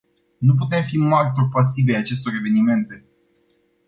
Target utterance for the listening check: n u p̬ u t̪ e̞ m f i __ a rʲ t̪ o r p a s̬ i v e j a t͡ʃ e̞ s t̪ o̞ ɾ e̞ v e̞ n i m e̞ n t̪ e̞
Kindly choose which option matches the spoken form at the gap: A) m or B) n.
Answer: A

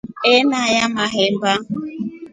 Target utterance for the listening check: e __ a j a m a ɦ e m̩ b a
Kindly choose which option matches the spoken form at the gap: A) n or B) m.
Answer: A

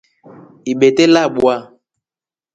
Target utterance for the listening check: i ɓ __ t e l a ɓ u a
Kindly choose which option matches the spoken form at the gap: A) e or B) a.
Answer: A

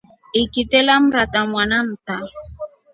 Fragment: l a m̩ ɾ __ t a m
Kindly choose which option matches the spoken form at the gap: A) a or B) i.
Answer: A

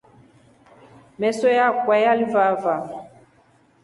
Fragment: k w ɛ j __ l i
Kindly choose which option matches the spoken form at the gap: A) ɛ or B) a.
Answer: B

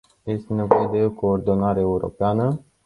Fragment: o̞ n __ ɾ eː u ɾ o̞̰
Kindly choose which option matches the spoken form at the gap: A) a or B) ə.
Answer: A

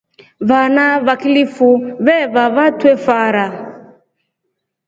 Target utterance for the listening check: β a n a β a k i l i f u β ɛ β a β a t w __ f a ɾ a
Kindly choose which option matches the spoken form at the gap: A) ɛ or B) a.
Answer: A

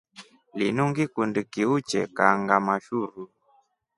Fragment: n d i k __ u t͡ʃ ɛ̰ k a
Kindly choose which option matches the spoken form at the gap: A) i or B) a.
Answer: A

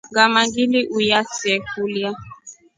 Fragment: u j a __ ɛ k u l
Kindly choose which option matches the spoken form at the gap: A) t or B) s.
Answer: B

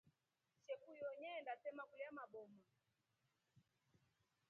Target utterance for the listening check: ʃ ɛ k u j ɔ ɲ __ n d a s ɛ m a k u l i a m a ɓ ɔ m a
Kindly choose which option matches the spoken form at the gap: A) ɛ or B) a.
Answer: A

